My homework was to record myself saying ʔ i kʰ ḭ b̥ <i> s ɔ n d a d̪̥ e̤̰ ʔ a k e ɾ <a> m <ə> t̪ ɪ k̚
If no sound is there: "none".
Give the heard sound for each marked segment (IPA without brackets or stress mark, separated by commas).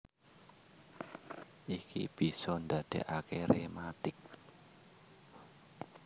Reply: i, e, a